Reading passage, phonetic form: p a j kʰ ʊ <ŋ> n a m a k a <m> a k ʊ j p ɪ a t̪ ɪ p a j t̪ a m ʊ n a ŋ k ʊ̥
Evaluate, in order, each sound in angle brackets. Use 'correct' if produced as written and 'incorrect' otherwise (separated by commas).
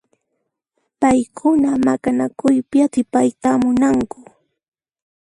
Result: incorrect, incorrect